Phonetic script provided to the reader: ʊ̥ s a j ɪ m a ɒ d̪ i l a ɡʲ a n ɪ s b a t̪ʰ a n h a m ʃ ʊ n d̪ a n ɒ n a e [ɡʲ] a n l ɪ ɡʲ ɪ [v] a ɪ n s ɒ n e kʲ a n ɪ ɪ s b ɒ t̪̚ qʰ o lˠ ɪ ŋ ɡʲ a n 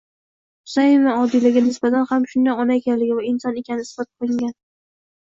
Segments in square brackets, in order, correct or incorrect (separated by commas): incorrect, correct